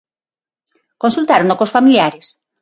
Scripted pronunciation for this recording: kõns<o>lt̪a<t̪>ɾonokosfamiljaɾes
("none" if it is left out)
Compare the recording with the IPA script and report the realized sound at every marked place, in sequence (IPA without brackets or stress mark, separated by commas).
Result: u, none